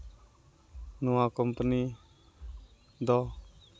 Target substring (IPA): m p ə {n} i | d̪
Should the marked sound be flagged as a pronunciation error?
no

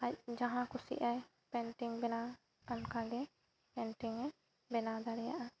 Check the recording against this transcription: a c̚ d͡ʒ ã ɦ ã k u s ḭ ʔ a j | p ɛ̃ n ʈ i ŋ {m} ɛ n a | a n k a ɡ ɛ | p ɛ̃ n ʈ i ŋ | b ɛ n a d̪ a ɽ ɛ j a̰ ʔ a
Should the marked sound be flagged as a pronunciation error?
yes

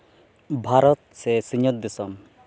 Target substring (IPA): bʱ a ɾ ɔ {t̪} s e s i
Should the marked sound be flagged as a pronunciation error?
no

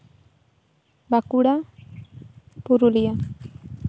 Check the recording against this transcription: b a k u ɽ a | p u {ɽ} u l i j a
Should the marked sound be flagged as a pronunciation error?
yes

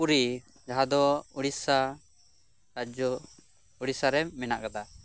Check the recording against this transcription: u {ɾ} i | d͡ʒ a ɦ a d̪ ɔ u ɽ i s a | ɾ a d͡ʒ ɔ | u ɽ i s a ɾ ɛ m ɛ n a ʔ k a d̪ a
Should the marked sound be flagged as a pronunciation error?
no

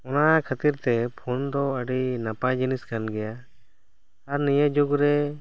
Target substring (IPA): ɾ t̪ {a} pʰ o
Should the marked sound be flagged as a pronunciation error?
yes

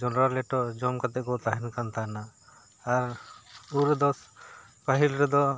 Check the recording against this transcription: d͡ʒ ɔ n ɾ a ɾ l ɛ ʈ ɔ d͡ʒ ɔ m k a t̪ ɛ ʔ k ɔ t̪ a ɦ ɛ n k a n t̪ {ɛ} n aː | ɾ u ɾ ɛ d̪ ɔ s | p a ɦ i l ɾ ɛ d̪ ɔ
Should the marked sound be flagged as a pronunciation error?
yes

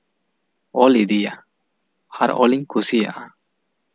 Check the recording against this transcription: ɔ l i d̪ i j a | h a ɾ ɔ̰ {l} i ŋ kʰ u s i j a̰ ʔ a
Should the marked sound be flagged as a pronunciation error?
no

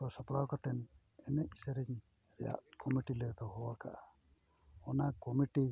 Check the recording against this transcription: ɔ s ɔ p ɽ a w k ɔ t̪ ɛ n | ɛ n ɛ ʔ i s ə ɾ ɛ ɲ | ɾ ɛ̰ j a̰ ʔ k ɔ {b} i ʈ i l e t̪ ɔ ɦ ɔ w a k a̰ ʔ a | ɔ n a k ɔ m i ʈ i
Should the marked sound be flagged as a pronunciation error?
yes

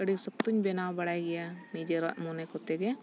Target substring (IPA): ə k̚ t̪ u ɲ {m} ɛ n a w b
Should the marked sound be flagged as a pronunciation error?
yes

